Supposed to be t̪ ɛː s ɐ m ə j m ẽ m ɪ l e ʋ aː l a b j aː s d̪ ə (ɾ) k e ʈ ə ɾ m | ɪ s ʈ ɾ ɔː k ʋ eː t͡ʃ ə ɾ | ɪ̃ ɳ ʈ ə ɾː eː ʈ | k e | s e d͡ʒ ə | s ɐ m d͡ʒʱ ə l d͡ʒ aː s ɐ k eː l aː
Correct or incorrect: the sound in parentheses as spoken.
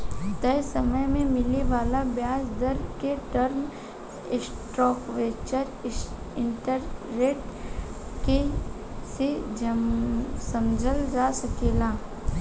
correct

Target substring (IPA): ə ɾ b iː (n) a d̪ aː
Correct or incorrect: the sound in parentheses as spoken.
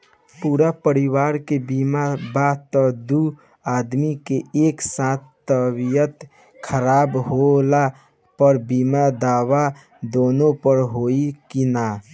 incorrect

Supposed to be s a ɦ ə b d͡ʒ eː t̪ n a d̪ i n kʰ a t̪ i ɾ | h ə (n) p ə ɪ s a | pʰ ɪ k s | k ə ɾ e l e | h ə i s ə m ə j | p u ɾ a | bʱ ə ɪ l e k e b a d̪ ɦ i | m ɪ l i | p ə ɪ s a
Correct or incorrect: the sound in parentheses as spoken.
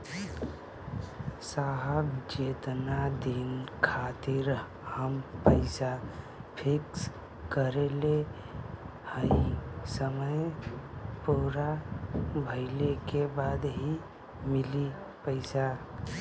incorrect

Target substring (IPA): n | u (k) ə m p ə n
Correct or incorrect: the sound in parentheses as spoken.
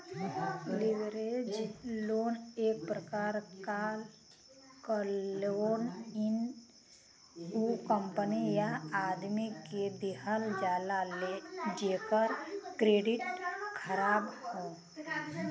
correct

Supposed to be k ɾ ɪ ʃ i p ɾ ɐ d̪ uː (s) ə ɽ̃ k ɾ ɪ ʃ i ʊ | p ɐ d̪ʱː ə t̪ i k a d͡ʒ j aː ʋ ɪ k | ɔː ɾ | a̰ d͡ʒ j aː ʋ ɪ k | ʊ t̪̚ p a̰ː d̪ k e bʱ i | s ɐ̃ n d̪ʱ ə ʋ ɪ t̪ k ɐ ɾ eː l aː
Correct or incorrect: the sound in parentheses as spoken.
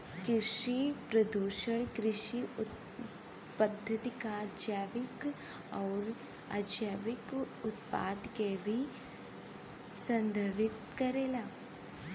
incorrect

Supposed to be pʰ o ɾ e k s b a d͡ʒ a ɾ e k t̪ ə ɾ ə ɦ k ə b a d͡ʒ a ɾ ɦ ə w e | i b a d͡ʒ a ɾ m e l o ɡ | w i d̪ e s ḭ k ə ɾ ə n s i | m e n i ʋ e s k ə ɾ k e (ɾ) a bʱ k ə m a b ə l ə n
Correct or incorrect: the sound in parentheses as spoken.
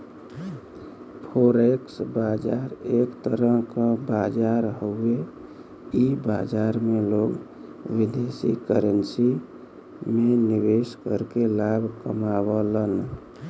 incorrect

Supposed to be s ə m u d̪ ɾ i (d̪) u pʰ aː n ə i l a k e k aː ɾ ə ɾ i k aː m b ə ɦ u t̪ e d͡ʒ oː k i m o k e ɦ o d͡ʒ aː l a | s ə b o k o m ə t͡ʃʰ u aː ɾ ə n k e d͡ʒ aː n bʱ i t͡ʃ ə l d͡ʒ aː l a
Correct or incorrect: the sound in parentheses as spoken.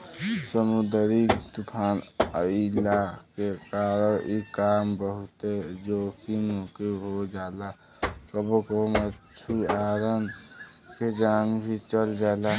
incorrect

